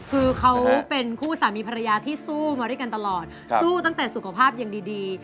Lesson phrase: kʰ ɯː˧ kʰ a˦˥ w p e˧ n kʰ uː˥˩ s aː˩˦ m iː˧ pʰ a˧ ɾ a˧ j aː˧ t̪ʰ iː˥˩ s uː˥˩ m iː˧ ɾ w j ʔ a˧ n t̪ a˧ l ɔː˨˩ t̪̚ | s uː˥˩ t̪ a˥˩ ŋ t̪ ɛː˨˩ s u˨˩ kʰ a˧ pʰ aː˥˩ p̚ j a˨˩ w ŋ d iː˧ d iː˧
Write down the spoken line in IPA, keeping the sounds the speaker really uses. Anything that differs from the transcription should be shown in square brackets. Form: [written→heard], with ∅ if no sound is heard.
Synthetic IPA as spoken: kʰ ɯː˧ kʰ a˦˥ w p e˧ n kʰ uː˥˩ s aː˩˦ m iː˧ pʰ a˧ ɾ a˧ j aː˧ t̪ʰ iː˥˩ s uː˥˩ m [iː˧→aː˧] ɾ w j [ʔ→k] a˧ n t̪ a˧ l ɔː˨˩ t̪̚ | s uː˥˩ t̪ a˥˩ ŋ t̪ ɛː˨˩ s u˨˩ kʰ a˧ pʰ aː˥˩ p̚ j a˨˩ [w→∅] ŋ d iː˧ d iː˧